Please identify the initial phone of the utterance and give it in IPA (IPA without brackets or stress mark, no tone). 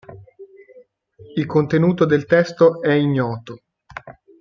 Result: i